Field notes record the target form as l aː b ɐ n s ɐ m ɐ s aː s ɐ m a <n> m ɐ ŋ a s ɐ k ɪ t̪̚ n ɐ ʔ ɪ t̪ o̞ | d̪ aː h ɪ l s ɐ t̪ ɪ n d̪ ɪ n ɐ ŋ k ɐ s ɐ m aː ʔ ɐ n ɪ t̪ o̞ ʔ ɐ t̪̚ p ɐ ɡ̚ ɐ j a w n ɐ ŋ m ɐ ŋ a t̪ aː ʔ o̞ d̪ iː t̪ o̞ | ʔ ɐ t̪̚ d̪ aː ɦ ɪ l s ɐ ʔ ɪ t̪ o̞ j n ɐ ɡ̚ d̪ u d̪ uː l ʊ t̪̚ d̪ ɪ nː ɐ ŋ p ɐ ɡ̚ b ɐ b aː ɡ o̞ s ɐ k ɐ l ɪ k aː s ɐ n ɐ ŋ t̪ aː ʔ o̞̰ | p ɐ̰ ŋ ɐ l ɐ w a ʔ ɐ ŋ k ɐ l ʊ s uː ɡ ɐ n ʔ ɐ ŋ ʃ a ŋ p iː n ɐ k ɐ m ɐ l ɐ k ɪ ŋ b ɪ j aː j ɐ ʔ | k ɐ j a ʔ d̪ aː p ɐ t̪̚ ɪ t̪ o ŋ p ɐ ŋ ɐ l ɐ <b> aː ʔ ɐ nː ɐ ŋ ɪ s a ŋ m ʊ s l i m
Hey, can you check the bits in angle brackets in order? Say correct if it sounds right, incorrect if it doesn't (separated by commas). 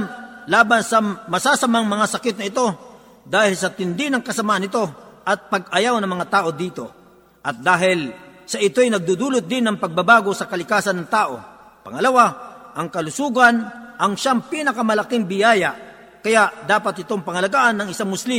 incorrect, incorrect